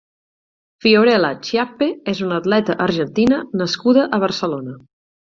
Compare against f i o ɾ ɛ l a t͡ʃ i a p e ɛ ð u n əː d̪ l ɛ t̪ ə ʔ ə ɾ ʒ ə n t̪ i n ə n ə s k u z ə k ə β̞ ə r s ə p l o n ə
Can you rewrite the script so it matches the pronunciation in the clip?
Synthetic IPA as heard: f i o ɾ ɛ l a t͡ʃ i a p e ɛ z u n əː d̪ l ɛ t̪ ə ʔ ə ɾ ʒ ə n t̪ i n ə n ə s k u ð ə ʔ ə β̞ ə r s ə l o n ə